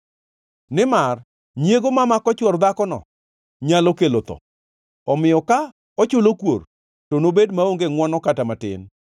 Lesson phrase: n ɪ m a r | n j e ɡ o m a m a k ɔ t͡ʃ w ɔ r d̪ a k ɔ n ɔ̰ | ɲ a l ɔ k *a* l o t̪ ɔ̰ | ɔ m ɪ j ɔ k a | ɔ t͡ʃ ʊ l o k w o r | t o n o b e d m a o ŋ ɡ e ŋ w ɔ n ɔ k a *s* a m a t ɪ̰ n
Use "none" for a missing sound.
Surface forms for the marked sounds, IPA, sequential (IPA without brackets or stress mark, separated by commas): e, t